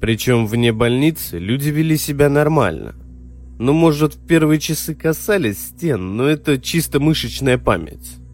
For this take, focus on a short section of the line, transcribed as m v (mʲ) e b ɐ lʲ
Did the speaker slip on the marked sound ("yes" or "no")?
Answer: yes